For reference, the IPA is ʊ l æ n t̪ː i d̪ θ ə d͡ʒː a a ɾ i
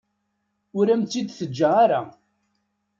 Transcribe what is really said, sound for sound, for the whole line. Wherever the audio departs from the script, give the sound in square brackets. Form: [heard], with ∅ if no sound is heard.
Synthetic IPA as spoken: ʊ [ɾ] æ [m] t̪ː i d̪ θ ə d͡ʒː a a ɾ [a]